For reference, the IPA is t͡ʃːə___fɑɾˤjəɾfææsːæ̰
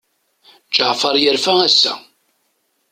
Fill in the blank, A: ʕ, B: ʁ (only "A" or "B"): A